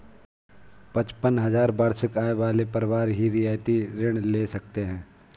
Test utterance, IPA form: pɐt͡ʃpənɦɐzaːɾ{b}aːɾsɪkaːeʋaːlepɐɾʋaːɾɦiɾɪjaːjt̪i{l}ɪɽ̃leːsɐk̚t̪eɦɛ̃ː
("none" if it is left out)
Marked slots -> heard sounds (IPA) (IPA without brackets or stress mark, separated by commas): b, ɾ